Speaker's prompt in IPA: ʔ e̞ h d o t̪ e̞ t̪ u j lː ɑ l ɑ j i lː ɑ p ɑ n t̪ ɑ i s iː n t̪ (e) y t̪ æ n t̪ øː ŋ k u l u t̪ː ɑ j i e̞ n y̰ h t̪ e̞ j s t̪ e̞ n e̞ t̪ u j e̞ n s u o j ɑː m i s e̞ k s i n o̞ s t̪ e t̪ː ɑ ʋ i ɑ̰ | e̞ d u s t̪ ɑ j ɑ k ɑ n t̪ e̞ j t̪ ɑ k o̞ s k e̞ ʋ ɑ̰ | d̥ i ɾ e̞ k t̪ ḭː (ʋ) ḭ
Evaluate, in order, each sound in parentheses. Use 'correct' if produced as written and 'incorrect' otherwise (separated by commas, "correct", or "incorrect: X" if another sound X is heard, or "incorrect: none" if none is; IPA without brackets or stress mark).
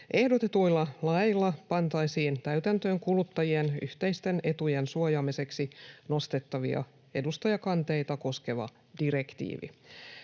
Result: incorrect: æ, correct